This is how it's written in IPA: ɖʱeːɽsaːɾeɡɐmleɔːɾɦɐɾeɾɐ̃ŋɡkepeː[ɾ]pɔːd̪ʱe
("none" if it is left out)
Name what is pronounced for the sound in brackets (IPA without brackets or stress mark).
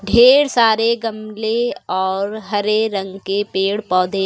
ɽ